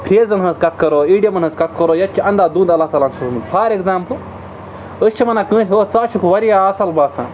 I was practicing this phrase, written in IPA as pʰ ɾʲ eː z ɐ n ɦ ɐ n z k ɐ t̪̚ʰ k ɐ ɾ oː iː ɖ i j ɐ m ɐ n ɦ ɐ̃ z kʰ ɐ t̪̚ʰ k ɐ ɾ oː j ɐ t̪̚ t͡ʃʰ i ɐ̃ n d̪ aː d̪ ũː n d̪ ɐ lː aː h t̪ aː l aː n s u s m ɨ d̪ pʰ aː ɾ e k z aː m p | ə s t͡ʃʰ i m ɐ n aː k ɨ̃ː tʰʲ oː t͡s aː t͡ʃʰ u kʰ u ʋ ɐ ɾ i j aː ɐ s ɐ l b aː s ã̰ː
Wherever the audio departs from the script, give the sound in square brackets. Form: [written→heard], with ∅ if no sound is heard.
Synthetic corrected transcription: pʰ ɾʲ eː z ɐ n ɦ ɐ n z k ɐ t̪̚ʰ k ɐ ɾ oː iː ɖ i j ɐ m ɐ n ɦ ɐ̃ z [kʰ→k] ɐ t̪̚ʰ k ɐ ɾ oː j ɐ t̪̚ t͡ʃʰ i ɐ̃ n d̪ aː d̪ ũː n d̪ ɐ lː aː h t̪ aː l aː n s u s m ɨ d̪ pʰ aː ɾ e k z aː m p | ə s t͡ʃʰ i m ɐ n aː k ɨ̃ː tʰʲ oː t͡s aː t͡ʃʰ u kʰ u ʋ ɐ ɾ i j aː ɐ s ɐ l b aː s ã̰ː